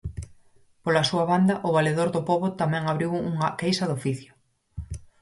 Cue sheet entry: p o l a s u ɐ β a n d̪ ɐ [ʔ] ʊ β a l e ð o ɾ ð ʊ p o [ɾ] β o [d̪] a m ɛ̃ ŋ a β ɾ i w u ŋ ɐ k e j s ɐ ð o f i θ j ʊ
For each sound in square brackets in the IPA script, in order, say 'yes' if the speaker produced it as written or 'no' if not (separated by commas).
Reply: yes, no, no